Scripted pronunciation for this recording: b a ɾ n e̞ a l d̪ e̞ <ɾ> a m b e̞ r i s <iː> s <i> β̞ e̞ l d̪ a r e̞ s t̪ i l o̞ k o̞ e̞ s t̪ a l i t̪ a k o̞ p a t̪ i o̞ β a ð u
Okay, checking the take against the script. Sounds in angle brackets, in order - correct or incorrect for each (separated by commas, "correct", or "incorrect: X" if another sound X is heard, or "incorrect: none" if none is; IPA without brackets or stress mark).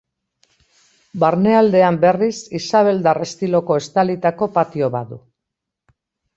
incorrect: none, incorrect: i, incorrect: a